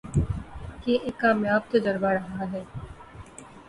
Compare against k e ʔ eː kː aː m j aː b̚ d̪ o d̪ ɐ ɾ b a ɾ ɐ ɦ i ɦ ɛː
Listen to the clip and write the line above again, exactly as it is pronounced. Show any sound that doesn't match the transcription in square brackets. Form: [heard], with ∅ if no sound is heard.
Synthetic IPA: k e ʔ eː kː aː m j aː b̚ [t̪] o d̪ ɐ ɾ b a ɾ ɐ ɦ [a] ɦ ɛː